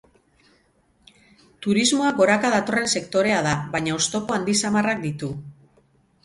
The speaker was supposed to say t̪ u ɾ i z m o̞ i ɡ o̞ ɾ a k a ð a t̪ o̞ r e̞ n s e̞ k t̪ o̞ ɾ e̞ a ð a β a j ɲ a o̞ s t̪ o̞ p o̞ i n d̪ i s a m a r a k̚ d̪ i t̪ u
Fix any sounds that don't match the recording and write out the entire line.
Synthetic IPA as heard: t̪ u ɾ i z m o̞ a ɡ o̞ ɾ a k a ð a t̪ o̞ r e̞ n s e̞ k t̪ o̞ ɾ e̞ a ð a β a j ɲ a o̞ s t̪ o̞ p o̞ a n d̪ i s a m a r a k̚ d̪ i t̪ u